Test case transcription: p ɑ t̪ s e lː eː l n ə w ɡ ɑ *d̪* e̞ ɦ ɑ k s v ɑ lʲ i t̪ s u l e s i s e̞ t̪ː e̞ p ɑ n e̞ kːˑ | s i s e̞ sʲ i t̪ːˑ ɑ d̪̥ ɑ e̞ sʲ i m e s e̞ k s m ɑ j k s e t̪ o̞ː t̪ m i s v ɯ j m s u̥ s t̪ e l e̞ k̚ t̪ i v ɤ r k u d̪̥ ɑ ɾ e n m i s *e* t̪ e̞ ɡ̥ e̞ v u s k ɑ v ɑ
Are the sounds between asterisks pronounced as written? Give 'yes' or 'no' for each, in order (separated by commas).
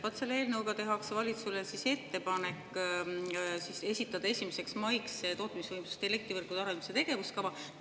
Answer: no, yes